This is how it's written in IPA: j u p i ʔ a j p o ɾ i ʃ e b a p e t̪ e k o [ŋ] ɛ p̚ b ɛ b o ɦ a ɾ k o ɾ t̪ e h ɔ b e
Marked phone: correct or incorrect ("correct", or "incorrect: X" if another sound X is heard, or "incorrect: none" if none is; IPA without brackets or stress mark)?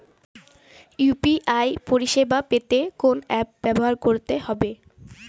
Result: incorrect: n